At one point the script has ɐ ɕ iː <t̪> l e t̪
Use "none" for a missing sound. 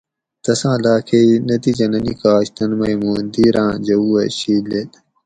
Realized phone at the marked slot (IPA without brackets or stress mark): none